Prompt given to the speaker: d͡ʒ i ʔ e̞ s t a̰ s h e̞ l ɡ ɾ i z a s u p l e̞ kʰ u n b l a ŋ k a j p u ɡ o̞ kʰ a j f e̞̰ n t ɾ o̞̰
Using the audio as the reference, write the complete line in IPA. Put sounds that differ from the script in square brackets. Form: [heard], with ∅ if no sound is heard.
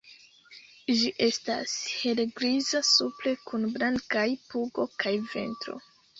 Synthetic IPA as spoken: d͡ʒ i ʔ e̞ s t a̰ s h e̞ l ɡ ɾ i z a s u p l e̞ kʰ u n b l a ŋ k a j p u ɡ o̞ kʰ a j [v] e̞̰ n t ɾ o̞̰